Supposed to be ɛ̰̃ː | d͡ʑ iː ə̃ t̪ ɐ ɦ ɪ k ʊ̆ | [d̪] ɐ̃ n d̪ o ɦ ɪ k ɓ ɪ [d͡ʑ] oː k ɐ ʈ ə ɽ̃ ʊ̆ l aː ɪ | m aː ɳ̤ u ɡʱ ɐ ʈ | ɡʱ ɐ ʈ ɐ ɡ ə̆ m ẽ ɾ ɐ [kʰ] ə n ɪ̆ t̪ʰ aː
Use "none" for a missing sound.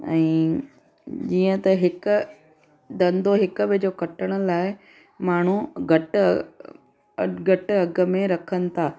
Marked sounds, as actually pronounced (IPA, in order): d̪, d͡ʑ, kʰ

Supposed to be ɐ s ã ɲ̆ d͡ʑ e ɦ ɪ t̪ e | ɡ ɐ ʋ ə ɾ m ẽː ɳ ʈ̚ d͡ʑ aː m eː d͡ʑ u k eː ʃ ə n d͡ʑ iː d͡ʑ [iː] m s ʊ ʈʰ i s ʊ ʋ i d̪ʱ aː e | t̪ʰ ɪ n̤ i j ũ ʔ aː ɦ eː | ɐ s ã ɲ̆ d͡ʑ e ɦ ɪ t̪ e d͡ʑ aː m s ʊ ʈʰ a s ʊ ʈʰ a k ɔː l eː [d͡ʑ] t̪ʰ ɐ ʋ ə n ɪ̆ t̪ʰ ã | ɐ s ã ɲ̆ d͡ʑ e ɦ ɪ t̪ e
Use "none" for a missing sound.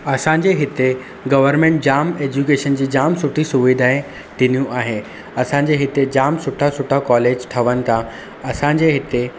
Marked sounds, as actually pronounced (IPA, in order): aː, d͡ʑ

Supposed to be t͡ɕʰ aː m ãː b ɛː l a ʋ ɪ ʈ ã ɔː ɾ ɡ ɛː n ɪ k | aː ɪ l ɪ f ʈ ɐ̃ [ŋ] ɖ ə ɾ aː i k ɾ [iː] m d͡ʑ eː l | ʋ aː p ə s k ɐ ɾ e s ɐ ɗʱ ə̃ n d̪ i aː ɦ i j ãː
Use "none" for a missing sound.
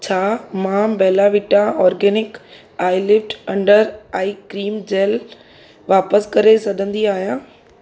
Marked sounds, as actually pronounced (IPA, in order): ɳ, iː

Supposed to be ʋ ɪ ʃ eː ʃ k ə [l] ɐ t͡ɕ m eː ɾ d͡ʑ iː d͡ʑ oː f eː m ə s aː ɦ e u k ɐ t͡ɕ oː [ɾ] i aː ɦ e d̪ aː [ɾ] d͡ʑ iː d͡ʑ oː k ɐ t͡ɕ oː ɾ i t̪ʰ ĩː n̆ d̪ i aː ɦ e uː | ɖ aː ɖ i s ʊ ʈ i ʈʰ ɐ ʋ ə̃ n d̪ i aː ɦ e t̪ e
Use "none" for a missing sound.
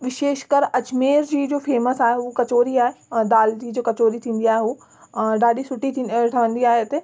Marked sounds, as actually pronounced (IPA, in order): ɾ, ɾ, l

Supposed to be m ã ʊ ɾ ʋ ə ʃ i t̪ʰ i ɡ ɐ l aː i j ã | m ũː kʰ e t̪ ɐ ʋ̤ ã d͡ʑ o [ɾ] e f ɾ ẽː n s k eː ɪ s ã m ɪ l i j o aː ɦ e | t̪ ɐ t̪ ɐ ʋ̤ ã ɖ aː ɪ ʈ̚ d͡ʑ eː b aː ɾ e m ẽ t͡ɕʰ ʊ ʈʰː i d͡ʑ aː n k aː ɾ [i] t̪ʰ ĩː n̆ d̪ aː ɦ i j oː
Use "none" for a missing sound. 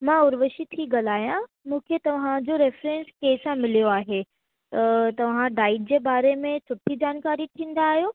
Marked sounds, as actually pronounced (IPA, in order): ɾ, i

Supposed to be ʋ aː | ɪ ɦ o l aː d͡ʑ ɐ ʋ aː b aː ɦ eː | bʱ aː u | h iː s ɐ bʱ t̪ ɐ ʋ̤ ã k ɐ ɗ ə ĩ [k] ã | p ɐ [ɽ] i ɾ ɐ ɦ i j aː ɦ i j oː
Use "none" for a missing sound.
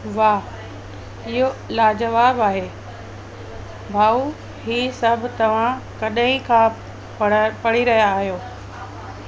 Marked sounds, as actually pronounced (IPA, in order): kʰ, ɽ

